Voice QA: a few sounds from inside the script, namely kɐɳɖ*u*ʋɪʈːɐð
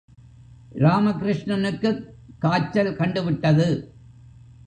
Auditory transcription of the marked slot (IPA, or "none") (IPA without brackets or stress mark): ɯ